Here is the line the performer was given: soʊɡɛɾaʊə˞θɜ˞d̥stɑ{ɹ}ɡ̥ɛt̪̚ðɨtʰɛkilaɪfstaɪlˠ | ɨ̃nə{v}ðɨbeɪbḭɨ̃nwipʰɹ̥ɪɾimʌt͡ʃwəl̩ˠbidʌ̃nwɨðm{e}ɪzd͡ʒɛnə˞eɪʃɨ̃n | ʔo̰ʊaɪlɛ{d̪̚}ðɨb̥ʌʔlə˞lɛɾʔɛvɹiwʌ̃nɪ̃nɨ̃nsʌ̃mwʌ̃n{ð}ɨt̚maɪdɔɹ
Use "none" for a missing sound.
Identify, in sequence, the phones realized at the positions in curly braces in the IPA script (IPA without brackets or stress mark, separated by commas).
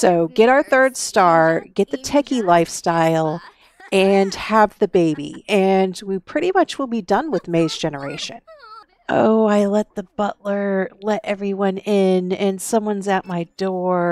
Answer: ɹ, v, e, t̪̚, z